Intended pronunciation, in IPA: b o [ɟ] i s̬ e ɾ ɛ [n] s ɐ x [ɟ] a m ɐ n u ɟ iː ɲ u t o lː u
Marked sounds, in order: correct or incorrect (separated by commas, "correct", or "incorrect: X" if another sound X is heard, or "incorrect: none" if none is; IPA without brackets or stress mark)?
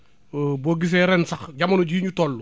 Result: incorrect: ɡ, correct, correct